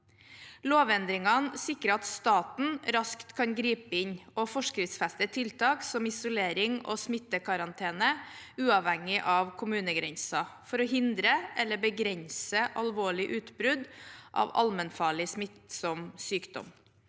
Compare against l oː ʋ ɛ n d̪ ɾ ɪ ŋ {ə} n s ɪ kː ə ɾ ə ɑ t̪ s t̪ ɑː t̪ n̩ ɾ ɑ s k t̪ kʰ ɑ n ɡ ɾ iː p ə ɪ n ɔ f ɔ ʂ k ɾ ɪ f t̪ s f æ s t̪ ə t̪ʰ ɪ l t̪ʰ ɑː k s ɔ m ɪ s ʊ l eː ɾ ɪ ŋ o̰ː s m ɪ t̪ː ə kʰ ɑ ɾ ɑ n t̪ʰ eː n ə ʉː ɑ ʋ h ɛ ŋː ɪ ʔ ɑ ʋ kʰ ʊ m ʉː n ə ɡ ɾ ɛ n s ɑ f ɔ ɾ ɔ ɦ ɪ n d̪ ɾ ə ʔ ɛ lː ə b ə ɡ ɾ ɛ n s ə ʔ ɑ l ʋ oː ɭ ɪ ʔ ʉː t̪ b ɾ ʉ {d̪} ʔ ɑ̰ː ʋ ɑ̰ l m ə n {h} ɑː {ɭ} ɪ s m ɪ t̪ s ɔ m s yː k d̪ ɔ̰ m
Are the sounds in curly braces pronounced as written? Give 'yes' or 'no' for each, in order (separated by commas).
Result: no, yes, no, yes